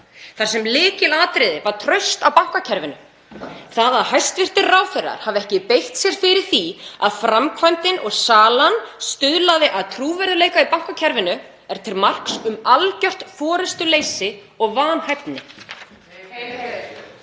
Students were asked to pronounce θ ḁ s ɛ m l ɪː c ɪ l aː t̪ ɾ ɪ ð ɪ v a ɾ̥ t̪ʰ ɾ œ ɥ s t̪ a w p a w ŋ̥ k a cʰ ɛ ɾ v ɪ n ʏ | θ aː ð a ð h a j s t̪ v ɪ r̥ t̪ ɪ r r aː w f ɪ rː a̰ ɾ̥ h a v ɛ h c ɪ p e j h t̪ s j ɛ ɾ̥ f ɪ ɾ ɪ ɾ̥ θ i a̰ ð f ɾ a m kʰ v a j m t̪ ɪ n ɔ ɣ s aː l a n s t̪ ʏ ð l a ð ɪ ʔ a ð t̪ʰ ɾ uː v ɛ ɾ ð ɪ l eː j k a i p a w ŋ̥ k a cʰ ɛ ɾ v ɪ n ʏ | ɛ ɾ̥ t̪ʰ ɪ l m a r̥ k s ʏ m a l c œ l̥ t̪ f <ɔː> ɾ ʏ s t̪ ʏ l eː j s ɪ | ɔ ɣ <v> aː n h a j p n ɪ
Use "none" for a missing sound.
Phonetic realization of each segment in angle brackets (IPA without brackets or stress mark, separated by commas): ɔː, v